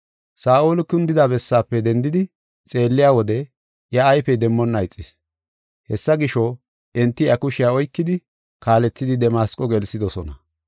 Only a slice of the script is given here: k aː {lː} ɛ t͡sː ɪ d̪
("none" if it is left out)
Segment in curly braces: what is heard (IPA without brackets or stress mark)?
l